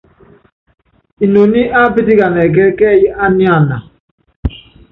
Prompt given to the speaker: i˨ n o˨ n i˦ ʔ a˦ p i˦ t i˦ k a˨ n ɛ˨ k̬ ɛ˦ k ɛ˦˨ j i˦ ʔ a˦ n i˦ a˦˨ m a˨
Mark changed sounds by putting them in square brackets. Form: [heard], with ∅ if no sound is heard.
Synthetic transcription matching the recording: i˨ n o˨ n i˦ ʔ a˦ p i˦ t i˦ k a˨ n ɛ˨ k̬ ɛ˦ k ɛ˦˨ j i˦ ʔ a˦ n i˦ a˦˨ [n] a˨

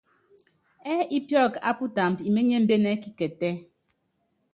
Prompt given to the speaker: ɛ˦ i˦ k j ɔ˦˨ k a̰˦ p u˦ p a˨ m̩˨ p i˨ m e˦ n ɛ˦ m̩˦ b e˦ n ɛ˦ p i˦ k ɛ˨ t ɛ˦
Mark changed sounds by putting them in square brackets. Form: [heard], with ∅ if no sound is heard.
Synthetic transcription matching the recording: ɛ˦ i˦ [p] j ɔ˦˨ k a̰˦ p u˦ [t] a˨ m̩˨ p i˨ m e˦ [ɲ] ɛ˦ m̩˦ b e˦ n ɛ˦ [k] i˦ k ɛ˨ t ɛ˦

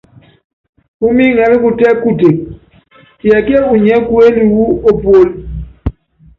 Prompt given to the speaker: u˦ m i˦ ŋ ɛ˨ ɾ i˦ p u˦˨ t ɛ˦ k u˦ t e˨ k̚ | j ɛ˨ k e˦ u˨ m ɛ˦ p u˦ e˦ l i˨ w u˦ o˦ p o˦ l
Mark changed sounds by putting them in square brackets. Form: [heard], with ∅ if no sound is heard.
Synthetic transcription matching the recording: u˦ m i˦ ŋ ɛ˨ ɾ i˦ [k] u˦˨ t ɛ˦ k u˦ t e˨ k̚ | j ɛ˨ k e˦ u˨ [ɲ] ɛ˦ [k] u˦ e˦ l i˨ w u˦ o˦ p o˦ l

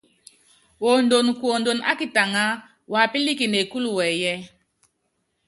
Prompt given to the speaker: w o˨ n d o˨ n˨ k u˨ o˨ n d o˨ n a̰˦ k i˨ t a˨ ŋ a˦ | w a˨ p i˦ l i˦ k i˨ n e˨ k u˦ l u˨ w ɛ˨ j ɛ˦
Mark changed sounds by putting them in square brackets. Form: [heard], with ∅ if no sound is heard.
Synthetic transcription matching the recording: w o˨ n d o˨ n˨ k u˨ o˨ n d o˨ n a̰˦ k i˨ t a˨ ŋ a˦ | w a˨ p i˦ l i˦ k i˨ n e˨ k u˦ l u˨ w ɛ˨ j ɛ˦

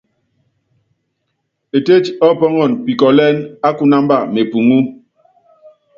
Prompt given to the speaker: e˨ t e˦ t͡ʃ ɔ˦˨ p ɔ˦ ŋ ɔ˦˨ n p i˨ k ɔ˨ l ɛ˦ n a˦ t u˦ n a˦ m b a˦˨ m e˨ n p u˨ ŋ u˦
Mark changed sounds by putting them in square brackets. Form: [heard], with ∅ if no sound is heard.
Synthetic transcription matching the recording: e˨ t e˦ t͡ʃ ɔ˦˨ p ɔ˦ ŋ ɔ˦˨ n p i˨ k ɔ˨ l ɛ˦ n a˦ [k] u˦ n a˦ m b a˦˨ m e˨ [∅] p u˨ ŋ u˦

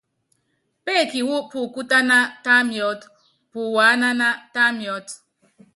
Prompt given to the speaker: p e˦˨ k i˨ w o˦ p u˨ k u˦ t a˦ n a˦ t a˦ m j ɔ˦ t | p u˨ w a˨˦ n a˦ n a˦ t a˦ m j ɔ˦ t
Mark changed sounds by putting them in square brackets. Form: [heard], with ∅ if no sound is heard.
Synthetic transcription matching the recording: p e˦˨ k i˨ w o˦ p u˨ k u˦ t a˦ n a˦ t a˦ m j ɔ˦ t | p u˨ w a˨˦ n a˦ n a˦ t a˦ m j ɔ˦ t

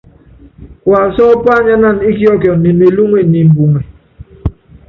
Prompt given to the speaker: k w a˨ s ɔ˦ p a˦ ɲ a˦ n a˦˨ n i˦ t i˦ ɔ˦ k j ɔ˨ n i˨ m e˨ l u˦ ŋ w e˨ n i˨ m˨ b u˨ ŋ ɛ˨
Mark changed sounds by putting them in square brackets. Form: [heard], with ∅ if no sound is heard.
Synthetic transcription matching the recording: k w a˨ s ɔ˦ p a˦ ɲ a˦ n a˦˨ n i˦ [k] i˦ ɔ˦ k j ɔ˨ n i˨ m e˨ l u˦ ŋ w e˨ n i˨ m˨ b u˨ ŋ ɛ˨

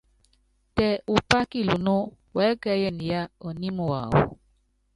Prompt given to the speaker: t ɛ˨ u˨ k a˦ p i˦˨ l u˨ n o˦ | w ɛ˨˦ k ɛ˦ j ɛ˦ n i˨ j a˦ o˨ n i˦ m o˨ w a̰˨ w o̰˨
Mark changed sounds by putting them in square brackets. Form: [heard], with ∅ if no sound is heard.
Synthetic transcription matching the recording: t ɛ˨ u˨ [p] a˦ [k] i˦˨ l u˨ n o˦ | w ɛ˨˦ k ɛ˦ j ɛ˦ n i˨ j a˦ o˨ n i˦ m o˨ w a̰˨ w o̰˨

